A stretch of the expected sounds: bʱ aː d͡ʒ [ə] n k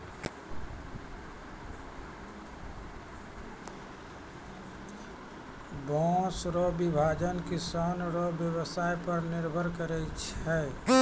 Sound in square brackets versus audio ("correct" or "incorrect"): correct